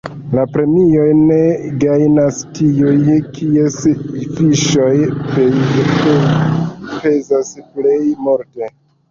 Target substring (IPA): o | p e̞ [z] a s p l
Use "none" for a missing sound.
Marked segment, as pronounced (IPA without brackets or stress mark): z